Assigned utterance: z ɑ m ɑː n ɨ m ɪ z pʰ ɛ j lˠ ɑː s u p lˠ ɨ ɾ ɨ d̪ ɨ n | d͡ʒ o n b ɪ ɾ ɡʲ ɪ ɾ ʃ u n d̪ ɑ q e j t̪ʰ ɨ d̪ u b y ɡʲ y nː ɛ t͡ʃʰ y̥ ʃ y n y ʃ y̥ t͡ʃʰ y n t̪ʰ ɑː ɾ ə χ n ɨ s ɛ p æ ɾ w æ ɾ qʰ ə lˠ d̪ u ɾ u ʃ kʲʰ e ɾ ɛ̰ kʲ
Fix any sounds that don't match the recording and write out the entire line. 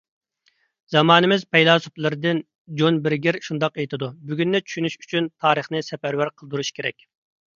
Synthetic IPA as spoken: z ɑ m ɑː n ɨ m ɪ z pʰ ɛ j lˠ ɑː s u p lˠ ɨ ɾ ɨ d̪ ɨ n | d͡ʒ o n b ɪ ɾ ɡʲ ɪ ɾ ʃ u n d̪ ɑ q e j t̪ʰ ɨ d̪ u b y ɡʲ y nː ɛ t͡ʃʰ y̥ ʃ y n y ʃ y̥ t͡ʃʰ y n t̪ʰ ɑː ɾ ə χ n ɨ s ɛ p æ ɾ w æ ɾ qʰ ə lˠ d̪ u ɾ u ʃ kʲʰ e ɾ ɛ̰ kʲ